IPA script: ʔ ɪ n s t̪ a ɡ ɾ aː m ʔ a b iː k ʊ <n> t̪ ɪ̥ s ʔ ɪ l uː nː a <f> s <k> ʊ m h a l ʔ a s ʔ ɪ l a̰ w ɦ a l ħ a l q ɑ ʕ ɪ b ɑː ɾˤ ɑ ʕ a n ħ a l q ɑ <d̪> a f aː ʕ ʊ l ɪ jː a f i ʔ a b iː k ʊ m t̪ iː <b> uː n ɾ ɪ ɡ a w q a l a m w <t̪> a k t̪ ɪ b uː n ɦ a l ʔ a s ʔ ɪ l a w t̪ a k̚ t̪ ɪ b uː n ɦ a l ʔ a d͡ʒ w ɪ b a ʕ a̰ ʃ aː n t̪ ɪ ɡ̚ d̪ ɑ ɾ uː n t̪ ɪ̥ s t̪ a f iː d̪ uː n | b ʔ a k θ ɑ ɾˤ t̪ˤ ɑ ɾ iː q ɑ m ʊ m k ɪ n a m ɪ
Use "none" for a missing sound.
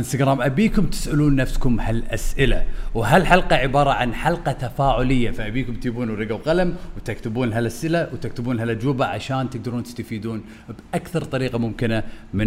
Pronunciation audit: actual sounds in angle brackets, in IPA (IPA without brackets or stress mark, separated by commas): m, f, k, t̪, b, t̪